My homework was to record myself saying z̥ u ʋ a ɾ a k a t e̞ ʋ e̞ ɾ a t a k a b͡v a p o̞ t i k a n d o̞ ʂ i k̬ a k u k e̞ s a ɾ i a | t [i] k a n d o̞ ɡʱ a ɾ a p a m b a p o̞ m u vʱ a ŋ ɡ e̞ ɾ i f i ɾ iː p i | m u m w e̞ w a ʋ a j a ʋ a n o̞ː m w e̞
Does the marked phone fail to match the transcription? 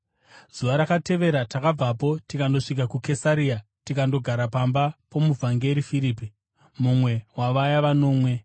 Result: no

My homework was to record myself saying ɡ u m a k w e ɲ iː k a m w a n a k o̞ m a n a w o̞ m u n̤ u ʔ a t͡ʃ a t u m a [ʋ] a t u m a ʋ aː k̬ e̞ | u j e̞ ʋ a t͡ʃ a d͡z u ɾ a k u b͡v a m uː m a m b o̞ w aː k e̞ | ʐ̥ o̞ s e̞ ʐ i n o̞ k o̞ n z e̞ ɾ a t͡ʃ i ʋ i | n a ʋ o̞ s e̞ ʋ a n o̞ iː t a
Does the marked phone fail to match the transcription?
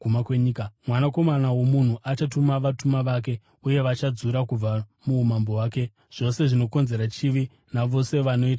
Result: no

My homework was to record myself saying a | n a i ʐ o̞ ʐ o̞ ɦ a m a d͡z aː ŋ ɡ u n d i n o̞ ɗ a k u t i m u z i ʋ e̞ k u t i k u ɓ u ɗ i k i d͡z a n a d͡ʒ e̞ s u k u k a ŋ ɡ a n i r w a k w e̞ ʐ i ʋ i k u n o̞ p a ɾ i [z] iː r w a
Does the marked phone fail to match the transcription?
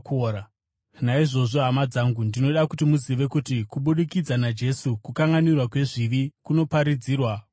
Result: yes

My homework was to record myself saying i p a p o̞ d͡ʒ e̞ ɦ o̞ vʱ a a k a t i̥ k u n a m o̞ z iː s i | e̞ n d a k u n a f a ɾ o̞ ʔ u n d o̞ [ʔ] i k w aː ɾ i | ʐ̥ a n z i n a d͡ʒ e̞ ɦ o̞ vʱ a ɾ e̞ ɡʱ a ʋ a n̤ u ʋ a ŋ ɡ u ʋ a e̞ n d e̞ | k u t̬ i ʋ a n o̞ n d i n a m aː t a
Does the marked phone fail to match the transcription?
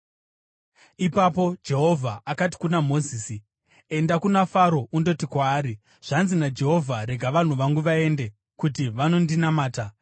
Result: yes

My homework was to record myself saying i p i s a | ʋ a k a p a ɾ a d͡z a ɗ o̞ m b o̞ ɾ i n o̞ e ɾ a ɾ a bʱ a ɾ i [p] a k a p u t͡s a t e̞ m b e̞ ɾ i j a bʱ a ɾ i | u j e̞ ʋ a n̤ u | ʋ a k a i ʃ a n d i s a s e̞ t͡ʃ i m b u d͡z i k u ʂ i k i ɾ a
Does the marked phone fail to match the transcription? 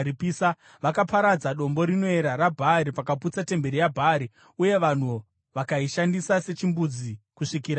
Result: no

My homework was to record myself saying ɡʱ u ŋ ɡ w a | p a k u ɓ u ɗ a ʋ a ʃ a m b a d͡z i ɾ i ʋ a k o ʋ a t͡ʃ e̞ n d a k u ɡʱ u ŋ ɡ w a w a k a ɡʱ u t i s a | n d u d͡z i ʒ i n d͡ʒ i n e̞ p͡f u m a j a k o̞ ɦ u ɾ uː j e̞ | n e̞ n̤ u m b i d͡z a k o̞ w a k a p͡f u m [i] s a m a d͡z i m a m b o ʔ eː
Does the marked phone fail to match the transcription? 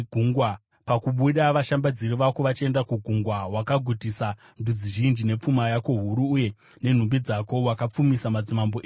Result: no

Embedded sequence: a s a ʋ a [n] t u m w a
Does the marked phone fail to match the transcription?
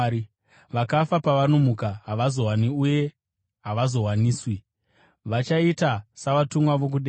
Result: yes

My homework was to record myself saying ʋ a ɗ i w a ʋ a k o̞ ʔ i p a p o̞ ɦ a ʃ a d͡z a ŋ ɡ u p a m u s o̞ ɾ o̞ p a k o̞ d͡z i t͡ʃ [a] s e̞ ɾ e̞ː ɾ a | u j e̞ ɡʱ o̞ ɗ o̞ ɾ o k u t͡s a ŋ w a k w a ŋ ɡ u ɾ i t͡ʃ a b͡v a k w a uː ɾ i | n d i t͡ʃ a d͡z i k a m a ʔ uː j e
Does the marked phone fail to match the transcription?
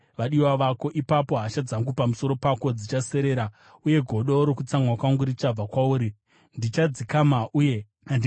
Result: no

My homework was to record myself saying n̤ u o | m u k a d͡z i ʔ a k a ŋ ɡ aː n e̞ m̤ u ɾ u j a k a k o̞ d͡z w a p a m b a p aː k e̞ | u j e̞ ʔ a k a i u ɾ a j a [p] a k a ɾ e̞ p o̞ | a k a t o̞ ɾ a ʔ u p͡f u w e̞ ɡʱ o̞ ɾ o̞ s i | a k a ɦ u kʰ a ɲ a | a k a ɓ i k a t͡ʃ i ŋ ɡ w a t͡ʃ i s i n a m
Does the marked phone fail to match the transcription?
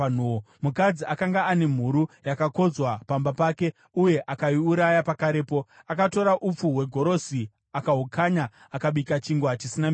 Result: no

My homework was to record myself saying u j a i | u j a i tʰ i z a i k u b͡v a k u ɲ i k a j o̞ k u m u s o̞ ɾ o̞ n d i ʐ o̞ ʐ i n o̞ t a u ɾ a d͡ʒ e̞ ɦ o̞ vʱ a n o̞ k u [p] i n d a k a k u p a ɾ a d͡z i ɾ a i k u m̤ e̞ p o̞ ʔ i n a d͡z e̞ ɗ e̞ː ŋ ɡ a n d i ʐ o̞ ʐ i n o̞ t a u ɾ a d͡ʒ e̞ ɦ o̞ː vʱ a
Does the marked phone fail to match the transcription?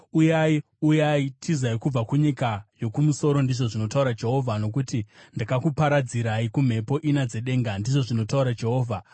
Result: yes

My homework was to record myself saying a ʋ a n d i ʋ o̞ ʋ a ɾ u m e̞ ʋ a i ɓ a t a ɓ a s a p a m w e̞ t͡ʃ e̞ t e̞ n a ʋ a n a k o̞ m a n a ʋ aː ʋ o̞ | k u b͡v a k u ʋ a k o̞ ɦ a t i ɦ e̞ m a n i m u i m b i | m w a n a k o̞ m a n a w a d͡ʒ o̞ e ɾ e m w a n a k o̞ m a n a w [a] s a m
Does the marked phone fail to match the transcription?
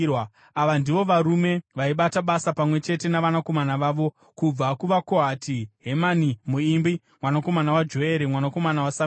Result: no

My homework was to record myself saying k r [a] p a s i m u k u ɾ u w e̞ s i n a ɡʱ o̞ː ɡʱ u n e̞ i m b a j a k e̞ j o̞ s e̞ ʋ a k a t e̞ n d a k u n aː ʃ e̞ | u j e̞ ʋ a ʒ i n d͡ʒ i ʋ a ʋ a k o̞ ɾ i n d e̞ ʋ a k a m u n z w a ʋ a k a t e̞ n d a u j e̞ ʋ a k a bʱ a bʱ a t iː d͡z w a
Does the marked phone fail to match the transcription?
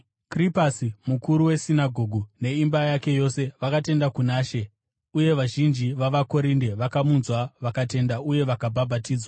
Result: yes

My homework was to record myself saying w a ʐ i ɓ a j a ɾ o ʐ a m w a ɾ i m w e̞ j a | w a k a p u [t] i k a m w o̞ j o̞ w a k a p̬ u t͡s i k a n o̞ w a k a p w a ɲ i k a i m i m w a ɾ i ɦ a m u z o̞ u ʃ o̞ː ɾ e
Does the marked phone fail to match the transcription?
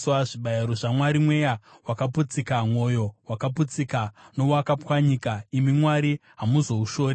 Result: yes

